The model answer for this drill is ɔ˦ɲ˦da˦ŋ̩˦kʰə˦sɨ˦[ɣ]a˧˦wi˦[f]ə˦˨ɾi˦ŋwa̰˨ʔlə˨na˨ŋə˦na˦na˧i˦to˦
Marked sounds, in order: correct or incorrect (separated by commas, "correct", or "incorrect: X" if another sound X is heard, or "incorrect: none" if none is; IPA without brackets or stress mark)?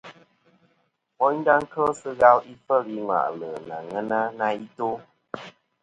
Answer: correct, correct